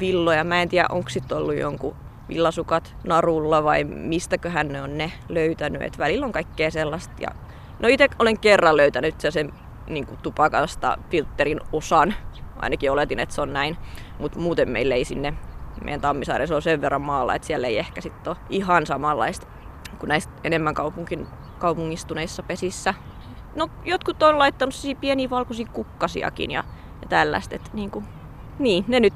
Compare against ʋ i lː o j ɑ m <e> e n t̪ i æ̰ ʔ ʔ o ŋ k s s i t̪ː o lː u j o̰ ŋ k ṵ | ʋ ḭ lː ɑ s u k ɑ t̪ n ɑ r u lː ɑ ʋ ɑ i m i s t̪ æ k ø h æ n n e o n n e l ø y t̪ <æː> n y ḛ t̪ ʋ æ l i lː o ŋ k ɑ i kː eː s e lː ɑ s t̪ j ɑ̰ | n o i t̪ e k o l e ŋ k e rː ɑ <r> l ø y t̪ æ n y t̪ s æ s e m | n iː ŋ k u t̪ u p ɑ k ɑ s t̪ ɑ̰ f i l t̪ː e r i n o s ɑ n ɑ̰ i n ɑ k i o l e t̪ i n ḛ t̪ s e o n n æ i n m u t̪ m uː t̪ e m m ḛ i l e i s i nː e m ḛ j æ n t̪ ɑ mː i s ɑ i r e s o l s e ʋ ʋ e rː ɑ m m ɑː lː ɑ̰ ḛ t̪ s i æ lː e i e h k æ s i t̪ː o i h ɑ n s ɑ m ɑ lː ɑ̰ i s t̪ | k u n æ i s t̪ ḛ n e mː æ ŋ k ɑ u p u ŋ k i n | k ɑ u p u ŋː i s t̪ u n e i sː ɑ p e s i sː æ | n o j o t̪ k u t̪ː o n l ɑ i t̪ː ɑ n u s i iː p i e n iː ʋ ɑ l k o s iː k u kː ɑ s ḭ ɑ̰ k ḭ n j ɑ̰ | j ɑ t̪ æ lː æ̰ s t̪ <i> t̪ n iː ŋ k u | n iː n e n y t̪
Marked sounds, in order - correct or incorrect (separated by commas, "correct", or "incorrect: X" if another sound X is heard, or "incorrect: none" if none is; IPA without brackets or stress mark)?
incorrect: æ, incorrect: æ, incorrect: l, incorrect: e